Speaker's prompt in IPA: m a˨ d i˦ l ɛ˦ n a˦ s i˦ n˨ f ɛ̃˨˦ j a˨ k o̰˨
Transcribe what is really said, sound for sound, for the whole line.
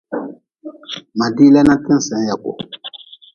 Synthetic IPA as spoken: m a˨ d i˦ l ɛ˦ n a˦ t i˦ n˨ s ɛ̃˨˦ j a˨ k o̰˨